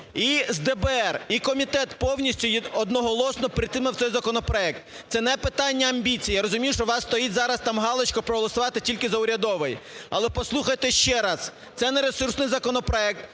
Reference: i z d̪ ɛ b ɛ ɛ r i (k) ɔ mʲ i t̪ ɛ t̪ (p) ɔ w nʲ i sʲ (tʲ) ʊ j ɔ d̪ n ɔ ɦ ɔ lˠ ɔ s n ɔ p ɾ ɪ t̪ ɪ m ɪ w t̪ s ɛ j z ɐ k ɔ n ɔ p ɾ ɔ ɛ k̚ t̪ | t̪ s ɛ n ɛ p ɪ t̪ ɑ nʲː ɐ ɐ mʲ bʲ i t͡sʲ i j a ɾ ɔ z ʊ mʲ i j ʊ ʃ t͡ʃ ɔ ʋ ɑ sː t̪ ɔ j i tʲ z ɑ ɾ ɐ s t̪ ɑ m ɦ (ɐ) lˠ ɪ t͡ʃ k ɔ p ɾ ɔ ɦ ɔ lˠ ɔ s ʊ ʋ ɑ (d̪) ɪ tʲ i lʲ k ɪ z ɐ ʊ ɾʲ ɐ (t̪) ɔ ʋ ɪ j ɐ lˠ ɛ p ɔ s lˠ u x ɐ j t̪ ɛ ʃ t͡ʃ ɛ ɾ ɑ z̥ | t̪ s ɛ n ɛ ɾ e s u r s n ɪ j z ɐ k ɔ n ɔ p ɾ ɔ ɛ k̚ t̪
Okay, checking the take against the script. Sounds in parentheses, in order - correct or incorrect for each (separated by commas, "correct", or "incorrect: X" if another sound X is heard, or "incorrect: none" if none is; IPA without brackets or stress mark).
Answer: correct, correct, correct, incorrect: ɑ, incorrect: t̪, incorrect: d̪